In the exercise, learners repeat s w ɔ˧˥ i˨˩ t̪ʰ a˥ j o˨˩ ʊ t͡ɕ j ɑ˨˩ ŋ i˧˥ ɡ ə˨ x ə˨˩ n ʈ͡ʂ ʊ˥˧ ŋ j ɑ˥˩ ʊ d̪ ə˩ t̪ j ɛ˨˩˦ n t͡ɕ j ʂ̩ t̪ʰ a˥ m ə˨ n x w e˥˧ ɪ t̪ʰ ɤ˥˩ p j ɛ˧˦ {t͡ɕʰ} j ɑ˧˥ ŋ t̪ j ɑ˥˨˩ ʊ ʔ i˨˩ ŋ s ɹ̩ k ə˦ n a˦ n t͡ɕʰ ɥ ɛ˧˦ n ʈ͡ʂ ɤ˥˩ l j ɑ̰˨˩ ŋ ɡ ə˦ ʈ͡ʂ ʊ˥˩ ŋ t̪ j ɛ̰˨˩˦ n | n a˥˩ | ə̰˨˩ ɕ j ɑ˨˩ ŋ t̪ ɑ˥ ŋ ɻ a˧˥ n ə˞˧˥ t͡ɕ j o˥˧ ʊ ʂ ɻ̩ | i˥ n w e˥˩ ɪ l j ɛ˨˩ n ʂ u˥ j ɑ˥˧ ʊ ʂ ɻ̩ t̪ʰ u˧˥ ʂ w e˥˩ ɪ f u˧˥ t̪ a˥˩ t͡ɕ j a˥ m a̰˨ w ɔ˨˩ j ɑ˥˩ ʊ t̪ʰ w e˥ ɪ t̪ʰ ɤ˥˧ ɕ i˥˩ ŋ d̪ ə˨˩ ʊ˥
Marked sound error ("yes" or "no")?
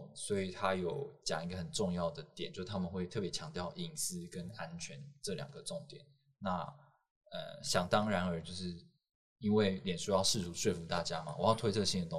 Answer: no